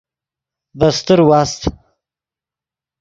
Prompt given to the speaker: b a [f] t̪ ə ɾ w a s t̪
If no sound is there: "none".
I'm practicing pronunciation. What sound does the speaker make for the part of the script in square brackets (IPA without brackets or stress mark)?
s